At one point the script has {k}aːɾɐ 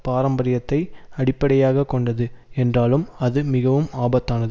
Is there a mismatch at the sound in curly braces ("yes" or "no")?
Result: yes